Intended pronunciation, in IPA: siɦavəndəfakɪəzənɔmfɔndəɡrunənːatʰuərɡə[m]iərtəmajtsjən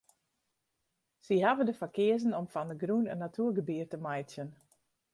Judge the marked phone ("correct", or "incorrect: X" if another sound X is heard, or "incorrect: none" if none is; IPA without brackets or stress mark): incorrect: b